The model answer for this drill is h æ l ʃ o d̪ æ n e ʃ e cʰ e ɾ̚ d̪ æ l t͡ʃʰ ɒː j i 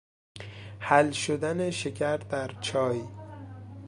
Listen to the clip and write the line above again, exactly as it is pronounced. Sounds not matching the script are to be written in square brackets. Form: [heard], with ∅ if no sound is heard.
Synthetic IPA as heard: h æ l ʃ o d̪ æ n e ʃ e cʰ [æ] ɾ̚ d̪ æ [ɾ] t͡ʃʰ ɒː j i